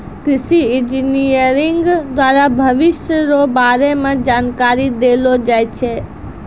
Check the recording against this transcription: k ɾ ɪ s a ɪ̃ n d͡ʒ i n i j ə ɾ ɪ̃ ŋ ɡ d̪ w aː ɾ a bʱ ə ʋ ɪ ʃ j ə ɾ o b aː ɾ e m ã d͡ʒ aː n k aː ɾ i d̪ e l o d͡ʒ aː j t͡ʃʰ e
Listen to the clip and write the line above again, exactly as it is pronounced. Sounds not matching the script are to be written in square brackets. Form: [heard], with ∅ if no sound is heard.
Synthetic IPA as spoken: k ɾ ɪ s [i] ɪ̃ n d͡ʒ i n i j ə ɾ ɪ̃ ŋ ɡ d̪ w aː ɾ a bʱ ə ʋ ɪ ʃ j ə ɾ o b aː ɾ e m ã d͡ʒ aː n k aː ɾ i d̪ e l o d͡ʒ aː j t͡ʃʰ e